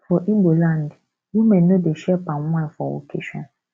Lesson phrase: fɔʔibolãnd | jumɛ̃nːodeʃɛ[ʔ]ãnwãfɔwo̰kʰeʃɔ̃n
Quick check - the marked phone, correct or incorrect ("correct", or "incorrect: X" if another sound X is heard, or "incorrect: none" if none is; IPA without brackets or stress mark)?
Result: incorrect: p